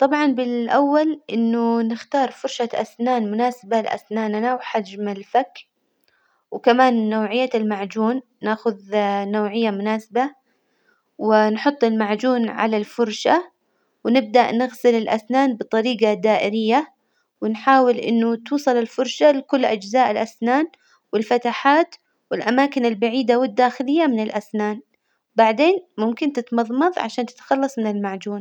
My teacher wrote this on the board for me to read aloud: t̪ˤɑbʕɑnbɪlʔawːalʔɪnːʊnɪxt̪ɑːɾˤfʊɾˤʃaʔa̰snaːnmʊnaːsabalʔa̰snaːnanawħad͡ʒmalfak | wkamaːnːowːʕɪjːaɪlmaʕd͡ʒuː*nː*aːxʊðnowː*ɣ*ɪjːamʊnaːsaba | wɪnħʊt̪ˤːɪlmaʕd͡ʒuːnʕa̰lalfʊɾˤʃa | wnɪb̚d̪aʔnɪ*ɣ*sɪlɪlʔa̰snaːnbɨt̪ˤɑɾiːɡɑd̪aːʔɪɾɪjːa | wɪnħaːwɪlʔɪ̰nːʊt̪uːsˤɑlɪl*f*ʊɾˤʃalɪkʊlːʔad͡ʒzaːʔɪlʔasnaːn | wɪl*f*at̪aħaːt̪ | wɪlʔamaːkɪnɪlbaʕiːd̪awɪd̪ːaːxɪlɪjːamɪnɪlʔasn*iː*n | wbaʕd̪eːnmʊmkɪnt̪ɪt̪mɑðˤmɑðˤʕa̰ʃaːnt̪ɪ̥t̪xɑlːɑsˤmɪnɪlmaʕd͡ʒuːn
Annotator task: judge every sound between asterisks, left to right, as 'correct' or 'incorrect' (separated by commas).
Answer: correct, incorrect, correct, correct, correct, incorrect